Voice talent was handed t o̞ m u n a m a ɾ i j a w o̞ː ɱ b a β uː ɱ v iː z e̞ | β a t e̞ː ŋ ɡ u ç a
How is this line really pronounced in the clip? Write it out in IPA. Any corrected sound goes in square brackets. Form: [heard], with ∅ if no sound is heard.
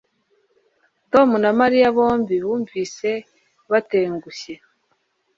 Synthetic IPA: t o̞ m u n a m a ɾ i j a [β] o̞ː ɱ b [i] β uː ɱ v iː [s] e̞ | β a t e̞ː ŋ ɡ u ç [e]